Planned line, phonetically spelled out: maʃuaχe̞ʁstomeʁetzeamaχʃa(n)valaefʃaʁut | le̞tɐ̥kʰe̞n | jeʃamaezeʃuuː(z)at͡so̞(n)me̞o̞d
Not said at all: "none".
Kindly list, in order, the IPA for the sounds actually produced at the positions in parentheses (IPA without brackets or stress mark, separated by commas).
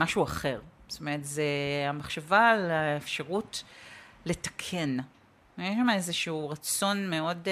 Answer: none, ʁ, n